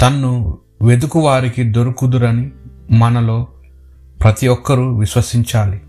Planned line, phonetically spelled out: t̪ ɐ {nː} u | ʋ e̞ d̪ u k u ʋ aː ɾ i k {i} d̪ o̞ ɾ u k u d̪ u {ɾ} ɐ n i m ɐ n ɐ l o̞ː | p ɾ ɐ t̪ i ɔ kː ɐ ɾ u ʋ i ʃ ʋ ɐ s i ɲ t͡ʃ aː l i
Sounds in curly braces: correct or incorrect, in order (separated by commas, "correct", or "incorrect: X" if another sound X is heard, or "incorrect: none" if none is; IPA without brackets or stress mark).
correct, correct, correct